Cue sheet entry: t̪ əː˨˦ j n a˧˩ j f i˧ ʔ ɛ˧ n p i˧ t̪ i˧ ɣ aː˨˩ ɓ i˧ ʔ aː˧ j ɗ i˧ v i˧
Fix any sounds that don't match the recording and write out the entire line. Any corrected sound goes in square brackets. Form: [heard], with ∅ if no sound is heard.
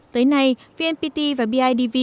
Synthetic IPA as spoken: t̪ əː˨˦ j n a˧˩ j [v] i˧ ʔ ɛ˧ n p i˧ t̪ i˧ [v] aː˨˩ ɓ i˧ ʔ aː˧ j ɗ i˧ v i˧